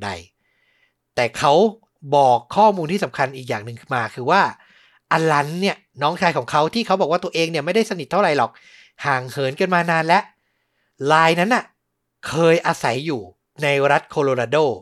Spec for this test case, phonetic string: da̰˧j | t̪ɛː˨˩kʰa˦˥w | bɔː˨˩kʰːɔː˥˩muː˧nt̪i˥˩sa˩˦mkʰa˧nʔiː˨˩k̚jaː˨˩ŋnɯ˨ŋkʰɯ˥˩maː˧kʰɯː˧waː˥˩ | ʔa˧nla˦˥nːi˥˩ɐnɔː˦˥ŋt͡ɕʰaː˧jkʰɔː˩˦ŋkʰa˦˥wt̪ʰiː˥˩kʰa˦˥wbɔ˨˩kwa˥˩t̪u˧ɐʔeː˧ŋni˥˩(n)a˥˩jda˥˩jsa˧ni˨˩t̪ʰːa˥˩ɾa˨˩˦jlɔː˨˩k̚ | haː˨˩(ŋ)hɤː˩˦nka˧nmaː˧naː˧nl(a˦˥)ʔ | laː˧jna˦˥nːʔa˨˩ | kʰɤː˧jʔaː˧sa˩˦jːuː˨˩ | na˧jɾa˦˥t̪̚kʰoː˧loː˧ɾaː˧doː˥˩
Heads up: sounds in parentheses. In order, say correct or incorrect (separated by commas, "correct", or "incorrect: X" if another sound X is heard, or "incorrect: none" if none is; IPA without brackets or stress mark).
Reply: incorrect: m, correct, incorrect: ɛ˦˥